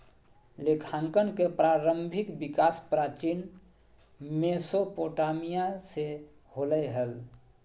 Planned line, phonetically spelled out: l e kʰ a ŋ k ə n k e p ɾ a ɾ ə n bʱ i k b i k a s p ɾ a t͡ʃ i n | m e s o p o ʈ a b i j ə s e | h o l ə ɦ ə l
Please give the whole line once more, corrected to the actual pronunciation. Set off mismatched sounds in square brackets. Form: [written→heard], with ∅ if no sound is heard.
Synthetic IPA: l e kʰ a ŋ k ə n k e p ɾ a ɾ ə [n→m] bʱ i k b i k a s p ɾ a t͡ʃ i n | m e s o p o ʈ a [b→m] i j [ə→a] s e | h o l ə ɦ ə l

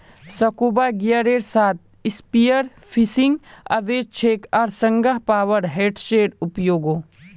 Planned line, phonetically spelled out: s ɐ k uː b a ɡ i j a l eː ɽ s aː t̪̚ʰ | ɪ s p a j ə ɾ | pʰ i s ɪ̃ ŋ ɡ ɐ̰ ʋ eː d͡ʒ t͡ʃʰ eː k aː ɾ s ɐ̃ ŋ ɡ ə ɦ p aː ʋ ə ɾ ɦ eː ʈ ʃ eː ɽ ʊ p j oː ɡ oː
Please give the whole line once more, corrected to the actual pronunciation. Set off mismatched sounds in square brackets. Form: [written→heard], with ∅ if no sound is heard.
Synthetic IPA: s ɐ k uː b a ɡ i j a [l→ɾ] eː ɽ s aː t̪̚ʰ | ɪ s p [a→i] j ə ɾ | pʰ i s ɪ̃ ŋ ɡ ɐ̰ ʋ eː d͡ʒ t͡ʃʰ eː k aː ɾ s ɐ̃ ŋ ɡ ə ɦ p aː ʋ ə ɾ ɦ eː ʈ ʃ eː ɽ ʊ p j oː ɡ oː

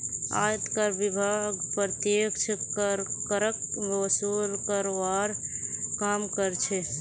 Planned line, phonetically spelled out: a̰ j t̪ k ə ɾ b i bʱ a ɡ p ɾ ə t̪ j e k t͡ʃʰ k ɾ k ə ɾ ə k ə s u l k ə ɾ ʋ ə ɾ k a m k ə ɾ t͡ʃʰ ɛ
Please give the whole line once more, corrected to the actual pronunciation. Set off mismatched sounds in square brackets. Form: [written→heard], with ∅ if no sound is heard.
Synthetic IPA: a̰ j t̪ k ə ɾ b i bʱ a ɡ p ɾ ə t̪ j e k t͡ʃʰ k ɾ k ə ɾ ə k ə s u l k ə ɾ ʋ [ə→a] ɾ k a m k ə ɾ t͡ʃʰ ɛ

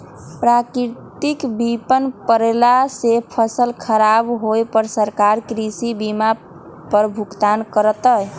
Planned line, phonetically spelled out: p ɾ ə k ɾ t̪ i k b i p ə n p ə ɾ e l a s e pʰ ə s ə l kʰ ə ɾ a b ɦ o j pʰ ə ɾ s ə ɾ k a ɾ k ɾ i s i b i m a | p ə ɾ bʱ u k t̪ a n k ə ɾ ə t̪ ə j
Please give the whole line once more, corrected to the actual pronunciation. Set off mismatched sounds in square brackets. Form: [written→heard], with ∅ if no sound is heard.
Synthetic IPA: p ɾ [ə→a] k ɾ t̪ i k b i p ə n p ə ɾ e l a s e pʰ ə s ə l kʰ ə ɾ a b ɦ o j [pʰ→p] ə ɾ s ə ɾ k a ɾ k ɾ i s i b i m a | p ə ɾ bʱ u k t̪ a n k ə ɾ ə t̪ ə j

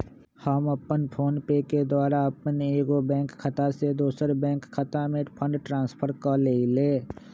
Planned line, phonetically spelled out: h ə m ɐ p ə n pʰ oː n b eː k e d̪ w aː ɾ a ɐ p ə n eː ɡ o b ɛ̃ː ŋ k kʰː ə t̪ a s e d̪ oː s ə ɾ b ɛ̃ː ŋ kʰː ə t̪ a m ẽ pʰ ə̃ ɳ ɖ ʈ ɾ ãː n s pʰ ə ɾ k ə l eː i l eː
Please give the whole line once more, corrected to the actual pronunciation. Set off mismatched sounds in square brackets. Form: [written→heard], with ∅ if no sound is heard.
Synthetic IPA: h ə m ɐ p ə n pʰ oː n [b→p] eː k e d̪ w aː ɾ a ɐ p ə n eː ɡ o b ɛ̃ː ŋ k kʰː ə t̪ a s e d̪ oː s ə ɾ b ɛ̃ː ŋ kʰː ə t̪ a m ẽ pʰ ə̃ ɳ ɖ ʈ ɾ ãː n s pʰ ə ɾ k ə l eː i l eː

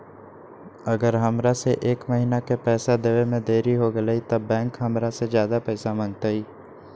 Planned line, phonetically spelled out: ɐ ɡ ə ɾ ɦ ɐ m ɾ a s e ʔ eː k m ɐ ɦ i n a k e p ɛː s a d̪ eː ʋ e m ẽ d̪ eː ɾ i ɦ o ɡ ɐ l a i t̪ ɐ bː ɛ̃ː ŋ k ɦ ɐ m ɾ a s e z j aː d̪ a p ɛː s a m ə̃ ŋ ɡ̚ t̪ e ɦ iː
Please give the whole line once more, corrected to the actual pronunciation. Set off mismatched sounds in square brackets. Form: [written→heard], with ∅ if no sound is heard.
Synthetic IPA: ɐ ɡ ə ɾ ɦ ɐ m ɾ a s e ʔ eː k m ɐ ɦ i n a k e p ɛː s a d̪ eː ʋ e m ẽ d̪ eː ɾ i ɦ o ɡ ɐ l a i t̪ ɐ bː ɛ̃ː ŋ k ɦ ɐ m ɾ a s e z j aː d̪ a p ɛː s a m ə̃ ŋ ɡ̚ t̪ [e→a] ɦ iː

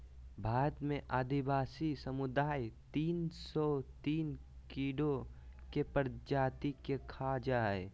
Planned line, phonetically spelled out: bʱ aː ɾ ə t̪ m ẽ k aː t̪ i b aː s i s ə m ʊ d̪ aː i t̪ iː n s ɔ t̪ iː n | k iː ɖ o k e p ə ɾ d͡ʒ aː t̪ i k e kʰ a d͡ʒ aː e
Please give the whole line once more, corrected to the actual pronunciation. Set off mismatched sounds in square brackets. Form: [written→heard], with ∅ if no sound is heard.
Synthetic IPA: bʱ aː ɾ ə t̪ m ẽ [k→ʔ] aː [t̪→d̪] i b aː s i s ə m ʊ d̪ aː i t̪ iː n s ɔ t̪ iː n | k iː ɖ o k e p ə ɾ d͡ʒ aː t̪ i k e kʰ a d͡ʒ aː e

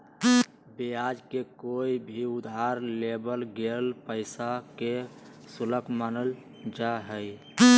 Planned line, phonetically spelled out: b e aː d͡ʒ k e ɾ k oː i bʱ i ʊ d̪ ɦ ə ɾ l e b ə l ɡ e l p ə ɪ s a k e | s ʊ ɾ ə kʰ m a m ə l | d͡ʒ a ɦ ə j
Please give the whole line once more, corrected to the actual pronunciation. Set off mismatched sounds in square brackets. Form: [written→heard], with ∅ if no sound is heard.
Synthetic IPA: b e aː d͡ʒ k e [ɾ→∅] k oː i bʱ i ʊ d̪ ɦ [ə→a] ɾ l e b ə l ɡ e l p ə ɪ s a k e | s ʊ [ɾ→l] ə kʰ m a [m→n] ə l | d͡ʒ a ɦ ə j

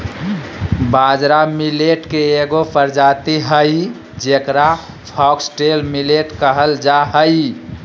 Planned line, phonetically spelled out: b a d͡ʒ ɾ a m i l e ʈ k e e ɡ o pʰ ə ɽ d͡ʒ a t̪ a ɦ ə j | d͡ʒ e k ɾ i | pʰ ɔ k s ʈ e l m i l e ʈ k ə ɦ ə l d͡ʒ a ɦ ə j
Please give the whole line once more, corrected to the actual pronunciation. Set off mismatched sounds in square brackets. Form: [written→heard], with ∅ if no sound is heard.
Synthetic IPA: b a d͡ʒ ɾ a m i l e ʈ k e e ɡ o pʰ ə [ɽ→ɾ] d͡ʒ a t̪ [a→i] ɦ ə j | d͡ʒ e k ɾ [i→a] | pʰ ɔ k s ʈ e l m i l e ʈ k ə ɦ ə l d͡ʒ a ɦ ə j

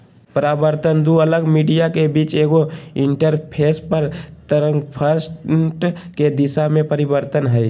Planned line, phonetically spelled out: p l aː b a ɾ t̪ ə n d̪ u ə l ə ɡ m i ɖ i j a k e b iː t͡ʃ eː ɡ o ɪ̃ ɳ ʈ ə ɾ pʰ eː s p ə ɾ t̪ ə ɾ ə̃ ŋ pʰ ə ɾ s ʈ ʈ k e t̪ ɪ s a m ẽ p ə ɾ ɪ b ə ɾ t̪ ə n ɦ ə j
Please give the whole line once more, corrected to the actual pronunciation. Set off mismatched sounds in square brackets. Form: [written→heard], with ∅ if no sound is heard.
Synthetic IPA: p [l→ɾ] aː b [a→ə] ɾ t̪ ə n d̪ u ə l ə ɡ m i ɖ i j a k e b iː t͡ʃ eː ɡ o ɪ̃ ɳ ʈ ə ɾ pʰ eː s p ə ɾ t̪ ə ɾ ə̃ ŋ pʰ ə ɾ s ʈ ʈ k e [t̪→d̪] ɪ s a m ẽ p ə ɾ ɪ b ə ɾ t̪ ə n ɦ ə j

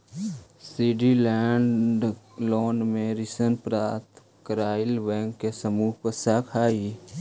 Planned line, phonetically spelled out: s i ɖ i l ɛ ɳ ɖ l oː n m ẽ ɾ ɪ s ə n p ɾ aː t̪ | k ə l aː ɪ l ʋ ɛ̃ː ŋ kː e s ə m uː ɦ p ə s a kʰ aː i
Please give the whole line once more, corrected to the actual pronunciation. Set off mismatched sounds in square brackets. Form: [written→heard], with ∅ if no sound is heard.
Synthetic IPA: s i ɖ i l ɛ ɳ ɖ l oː n m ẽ ɾ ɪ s ə n p ɾ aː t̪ | k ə [l→ɾ] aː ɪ l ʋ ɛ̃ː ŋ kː e s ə m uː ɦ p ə s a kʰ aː i

